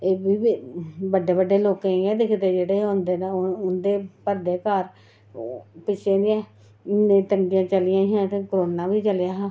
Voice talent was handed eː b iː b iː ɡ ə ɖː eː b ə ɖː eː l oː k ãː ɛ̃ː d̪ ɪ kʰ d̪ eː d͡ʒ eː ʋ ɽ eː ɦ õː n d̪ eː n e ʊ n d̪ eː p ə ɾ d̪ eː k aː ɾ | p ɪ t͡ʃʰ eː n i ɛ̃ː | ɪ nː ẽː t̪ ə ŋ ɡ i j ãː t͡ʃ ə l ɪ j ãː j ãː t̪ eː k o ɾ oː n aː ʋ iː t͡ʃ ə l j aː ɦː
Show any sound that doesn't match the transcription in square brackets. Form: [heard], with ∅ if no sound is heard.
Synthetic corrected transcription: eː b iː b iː [b] ə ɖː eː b ə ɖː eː l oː k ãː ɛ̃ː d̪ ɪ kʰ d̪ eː d͡ʒ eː [∅] ɽ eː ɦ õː n d̪ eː n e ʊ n d̪ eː p ə ɾ d̪ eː k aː ɾ | p ɪ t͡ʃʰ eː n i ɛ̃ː | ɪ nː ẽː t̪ ə ŋ ɡ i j ãː t͡ʃ ə l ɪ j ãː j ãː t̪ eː k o ɾ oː n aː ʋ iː t͡ʃ ə l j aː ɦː